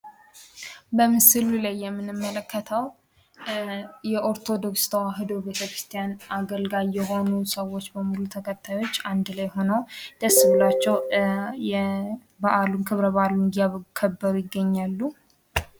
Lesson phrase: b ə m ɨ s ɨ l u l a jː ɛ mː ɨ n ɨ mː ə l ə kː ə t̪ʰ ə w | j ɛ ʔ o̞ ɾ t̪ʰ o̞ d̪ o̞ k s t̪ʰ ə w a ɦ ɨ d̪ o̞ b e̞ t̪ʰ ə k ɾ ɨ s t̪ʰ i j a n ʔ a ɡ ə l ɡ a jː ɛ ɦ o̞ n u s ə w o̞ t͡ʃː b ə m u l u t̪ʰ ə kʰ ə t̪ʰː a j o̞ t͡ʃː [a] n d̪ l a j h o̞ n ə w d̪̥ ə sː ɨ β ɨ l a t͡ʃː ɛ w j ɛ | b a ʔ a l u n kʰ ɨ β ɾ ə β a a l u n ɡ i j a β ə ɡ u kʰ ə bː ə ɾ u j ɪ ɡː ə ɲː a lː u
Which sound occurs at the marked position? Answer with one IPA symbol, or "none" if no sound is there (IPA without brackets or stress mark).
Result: a